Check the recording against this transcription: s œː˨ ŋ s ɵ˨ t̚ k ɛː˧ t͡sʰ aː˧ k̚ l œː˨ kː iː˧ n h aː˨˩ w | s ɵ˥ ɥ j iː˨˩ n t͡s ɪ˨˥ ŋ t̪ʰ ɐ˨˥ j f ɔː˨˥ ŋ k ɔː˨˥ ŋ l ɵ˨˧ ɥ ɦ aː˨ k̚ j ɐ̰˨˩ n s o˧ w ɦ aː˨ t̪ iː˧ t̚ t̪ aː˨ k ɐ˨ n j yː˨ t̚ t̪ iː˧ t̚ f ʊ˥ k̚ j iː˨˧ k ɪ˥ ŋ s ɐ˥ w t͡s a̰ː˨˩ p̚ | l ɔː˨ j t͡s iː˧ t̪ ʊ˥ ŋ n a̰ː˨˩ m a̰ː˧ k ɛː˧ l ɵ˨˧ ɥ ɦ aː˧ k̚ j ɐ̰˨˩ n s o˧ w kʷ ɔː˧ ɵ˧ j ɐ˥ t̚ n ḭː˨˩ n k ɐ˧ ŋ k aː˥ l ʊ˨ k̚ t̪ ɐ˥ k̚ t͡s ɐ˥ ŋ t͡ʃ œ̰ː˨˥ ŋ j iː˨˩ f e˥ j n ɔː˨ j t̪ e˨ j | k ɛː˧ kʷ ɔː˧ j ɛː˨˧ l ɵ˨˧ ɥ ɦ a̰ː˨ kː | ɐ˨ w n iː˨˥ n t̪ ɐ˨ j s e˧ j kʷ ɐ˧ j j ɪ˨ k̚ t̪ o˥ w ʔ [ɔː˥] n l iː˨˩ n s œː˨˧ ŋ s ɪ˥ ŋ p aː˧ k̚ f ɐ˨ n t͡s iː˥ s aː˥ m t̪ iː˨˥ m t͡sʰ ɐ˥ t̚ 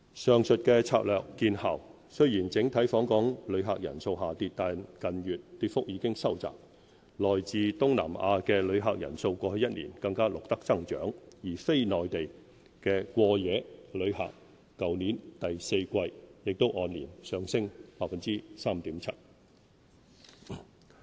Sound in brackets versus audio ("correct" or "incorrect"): incorrect